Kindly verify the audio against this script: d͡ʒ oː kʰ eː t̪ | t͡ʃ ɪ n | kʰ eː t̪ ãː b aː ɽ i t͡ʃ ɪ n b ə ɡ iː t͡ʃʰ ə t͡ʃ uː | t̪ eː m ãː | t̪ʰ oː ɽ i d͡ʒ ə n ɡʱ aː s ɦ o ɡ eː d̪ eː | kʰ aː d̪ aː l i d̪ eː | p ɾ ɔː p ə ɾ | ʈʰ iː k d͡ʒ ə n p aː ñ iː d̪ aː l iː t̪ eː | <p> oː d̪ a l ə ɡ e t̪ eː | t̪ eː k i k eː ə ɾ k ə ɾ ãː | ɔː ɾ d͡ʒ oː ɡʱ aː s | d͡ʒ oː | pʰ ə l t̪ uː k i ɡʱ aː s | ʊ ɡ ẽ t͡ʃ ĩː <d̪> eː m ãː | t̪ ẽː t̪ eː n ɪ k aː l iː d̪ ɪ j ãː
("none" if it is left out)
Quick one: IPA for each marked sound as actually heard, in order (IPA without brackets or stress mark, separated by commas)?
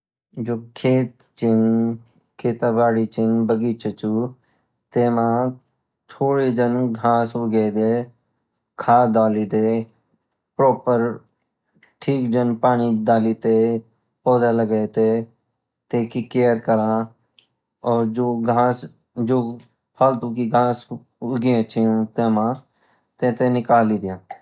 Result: p, t̪